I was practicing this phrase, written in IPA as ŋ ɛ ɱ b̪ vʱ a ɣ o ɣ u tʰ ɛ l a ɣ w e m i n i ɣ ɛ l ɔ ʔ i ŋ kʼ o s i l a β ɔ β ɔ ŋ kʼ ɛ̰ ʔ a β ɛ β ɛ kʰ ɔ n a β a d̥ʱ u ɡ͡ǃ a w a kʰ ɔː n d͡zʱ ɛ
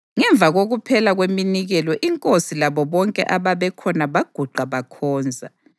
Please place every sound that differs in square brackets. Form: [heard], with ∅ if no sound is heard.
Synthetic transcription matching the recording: ŋ ɛ ɱ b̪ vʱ a ɣ o ɣ u [pʰ] ɛ l a ɣ w e m i n i ɣ ɛ l ɔ ʔ i ŋ kʼ o s i l a β ɔ β ɔ ŋ kʼ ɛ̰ ʔ a β [a] β ɛ kʰ ɔ n a β a [ɡ̥ʱ] u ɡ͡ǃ a [β] a kʰ ɔː n d͡zʱ [a]

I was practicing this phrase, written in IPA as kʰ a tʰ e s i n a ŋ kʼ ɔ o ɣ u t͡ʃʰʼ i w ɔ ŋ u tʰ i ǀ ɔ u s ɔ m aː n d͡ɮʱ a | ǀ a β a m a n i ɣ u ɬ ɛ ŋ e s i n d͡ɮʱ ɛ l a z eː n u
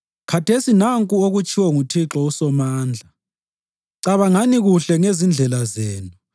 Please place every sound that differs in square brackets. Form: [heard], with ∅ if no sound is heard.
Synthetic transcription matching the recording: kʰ a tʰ e s i n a ŋ kʼ [u] o ɣ u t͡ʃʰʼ i w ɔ ŋ u tʰ i [ǁ] ɔ u s ɔ m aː n d͡ɮʱ a | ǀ a β a [ŋ] a n i ɣ u ɬ ɛ ŋ e [z] i n d͡ɮʱ ɛ l a z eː n u

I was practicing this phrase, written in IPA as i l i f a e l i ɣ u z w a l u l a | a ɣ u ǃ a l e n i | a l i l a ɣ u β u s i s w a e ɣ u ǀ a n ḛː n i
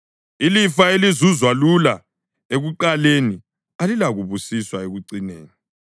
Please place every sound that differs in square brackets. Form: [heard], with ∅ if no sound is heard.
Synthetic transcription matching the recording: i l i f a e l i [z] u z w a l u l a | [e] ɣ u ǃ a l e n i | a l i l a ɣ u β u s i s w a e ɣ u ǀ [i] n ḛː n i

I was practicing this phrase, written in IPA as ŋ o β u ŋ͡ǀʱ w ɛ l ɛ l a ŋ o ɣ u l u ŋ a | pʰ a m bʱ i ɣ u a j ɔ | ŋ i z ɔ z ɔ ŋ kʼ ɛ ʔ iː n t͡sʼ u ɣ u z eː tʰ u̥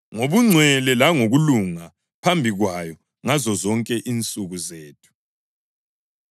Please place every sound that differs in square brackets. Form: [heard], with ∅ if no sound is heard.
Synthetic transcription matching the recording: ŋ o β u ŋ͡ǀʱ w ɛ l ɛ l a ŋ o ɣ u l u ŋ a | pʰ a m bʱ i ɣ [w] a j ɔ | ŋ [a] z ɔ z ɔ ŋ kʼ ɛ ʔ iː n t͡sʼ u ɣ u z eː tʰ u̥

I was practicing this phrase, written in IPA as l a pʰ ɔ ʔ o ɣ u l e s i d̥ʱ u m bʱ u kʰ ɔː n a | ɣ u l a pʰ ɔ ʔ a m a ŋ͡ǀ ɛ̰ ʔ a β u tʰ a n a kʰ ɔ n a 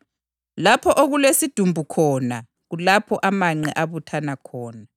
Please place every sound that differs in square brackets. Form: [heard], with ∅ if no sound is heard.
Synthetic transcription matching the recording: l a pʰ ɔ ʔ o ɣ u l e s i d̥ʱ u m bʱ u kʰ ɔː n a | ɣ u l a pʰ ɔ ʔ a m a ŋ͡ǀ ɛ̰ ʔ a β u tʰ a n a kʰ [ɔː] n a

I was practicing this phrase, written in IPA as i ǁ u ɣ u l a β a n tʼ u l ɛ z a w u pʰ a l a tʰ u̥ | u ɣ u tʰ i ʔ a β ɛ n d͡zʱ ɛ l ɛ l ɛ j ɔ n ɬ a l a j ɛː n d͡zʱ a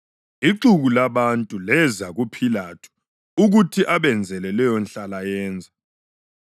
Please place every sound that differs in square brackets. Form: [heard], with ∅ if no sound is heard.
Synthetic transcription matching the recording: i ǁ u ɣ u l a β a n tʼ u l ɛ z a [ɣ] u pʰ [i] l a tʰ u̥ | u ɣ u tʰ i ʔ a β ɛ n d͡zʱ ɛ l ɛ l ɛ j ɔ n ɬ a l a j ɛː n d͡zʱ a

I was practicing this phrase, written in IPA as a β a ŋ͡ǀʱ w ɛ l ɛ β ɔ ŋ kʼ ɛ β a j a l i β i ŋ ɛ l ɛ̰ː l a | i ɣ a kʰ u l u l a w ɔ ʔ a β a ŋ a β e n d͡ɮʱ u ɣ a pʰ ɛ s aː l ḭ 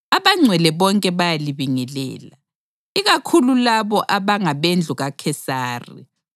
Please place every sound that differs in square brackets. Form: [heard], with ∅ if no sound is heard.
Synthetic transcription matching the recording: a β a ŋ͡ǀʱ w ɛ l ɛ β ɔ ŋ kʼ ɛ β a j a l i β i ŋ ɛ l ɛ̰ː l a | i ɣ a kʰ u l u l a [β] ɔ ʔ a β a ŋ a β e n d͡ɮʱ u ɣ a [kʰ] ɛ s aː [r] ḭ

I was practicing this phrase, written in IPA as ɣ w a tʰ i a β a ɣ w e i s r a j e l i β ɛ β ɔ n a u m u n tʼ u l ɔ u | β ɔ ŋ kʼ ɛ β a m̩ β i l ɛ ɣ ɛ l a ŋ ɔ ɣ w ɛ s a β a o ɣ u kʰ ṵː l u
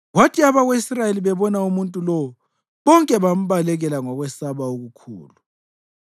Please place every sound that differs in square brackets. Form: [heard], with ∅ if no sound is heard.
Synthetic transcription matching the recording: ɣ w a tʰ i a β a ɣ w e i s r a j e l i β ɛ β ɔ n a u m u n tʼ u l ɔ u | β ɔ ŋ kʼ ɛ β a m̩ β [a] l ɛ ɣ ɛ l a ŋ ɔ ɣ w ɛ s a β a o ɣ u kʰ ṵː l u

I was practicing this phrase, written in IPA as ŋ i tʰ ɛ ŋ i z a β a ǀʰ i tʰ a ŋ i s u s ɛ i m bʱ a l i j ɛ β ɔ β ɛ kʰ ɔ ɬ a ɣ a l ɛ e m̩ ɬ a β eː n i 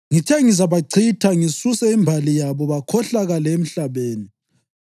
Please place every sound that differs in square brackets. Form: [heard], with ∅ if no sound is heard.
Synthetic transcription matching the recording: ŋ i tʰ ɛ ŋ i z a β a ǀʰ i tʰ a ŋ i s u s ɛ i m bʱ a l i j [a] β ɔ β [a] kʰ ɔ ɬ a ɣ a l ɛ e m̩ ɬ a β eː n i

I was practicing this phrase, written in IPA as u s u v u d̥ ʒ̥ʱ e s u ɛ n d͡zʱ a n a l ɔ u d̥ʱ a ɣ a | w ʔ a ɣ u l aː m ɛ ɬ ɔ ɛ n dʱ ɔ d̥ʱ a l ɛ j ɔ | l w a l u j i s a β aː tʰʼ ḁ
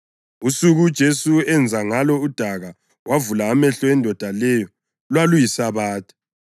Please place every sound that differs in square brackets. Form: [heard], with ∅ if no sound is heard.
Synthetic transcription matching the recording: u s u [ɣ] u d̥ ʒ̥ʱ e s u ɛ n d͡zʱ a [ŋ] a l ɔ u d̥ʱ a ɣ a | w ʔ a [v] u l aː m ɛ ɬ ɔ ɛ n dʱ ɔ d̥ʱ a l ɛ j ɔ | l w a l u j i s a β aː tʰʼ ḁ

